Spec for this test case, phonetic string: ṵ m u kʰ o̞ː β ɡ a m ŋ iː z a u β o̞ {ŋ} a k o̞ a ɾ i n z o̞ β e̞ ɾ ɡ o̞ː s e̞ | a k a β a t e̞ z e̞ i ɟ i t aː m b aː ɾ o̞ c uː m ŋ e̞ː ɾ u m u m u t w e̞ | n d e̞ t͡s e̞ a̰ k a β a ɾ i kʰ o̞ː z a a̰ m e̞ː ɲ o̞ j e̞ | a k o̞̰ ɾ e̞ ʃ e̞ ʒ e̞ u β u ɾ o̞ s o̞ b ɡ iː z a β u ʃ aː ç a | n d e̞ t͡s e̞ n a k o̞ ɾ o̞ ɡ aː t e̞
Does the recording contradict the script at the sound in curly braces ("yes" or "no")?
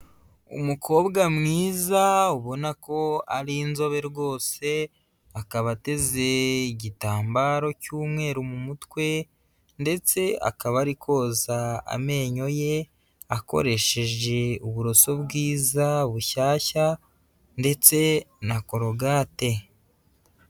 yes